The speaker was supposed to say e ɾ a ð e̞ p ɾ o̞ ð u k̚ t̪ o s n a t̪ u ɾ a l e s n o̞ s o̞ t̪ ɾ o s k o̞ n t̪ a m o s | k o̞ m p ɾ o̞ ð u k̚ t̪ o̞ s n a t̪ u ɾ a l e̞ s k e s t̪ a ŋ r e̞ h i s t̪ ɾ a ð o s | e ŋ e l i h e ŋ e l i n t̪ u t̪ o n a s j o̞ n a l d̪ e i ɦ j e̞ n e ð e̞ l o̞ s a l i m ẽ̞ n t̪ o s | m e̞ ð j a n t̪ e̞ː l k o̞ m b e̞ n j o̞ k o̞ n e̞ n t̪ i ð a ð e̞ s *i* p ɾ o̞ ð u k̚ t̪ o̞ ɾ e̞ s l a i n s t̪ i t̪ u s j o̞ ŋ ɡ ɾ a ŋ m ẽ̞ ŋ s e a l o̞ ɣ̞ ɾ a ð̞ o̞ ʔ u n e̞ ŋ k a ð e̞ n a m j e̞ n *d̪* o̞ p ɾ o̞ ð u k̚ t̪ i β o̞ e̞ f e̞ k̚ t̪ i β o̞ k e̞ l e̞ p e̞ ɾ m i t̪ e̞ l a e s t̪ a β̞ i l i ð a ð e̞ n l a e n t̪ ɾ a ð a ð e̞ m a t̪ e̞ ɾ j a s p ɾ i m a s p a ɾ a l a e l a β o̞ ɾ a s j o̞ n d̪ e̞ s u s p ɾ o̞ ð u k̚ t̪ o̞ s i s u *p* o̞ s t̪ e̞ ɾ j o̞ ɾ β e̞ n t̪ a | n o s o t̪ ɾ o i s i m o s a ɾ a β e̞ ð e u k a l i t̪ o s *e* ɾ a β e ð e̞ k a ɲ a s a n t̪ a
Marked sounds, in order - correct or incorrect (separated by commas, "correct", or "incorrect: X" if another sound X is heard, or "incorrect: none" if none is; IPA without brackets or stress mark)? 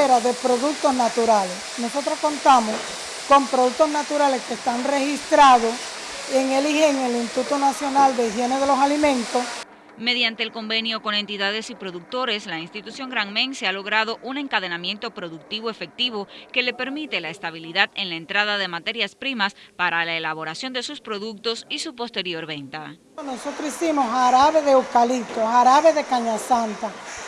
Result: correct, incorrect: t̪, correct, incorrect: a